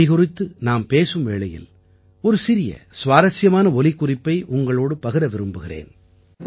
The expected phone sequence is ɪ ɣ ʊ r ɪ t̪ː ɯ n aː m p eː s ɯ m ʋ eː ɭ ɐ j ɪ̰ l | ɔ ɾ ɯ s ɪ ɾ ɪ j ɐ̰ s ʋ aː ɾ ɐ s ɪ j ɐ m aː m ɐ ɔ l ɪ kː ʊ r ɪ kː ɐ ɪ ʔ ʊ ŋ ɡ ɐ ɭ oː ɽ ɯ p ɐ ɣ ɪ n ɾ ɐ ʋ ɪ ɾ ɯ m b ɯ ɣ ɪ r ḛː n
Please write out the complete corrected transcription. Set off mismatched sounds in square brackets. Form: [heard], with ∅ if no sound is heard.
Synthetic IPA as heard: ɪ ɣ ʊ r ɪ t̪ː ɯ n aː m p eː s ɯ m ʋ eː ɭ ɐ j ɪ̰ l | ɔ ɾ ɯ s ɪ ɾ ɪ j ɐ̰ s ʋ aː ɾ ɐ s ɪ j ɐ m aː [n] ɐ ɔ l ɪ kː ʊ r ɪ [pː] ɐ ɪ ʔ ʊ ŋ ɡ ɐ ɭ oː ɽ ɯ p ɐ ɣ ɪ [∅] ɾ ɐ ʋ ɪ ɾ ɯ m b ɯ ɣ ɪ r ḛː n